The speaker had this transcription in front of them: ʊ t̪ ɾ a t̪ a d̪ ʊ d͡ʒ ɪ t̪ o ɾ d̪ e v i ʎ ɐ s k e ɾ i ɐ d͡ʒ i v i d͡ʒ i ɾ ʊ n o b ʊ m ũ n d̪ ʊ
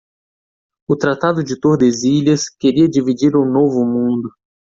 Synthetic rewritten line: ʊ t̪ ɾ a t̪ a d̪ ʊ d͡ʒ ɪ t̪ o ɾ d̪ e z i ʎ ɐ s k e ɾ i ɐ d͡ʒ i v i d͡ʒ i ɾ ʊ n o v ʊ m ũ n d̪ ʊ